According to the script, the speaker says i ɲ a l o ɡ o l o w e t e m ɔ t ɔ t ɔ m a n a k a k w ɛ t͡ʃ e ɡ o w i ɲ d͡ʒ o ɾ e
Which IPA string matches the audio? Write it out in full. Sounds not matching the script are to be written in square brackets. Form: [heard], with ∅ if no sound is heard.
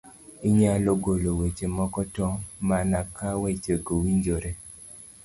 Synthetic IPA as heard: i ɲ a l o ɡ o l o w e [t͡ʃ] e m ɔ [k] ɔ t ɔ m a n a k a [∅] w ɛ t͡ʃ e ɡ o w i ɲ d͡ʒ o ɾ e